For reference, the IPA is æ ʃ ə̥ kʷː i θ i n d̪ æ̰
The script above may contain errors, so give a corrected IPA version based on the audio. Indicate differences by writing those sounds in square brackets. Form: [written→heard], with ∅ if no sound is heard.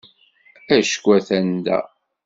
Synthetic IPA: æ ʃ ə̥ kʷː [i→æ] θ [i→æ] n d̪ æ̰